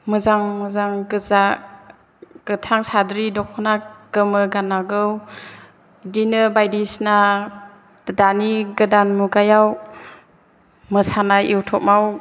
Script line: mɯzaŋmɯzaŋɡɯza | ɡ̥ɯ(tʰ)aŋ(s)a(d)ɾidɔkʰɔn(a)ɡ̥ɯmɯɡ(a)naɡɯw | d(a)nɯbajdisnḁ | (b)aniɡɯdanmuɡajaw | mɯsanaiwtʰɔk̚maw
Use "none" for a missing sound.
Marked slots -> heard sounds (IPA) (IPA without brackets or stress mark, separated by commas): tʰ, s, d, a, a, i, d